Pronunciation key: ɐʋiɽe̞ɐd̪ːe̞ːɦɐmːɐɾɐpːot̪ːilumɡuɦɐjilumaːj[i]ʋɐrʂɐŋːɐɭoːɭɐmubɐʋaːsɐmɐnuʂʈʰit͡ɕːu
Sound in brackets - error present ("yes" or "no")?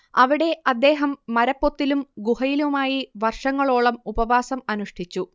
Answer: no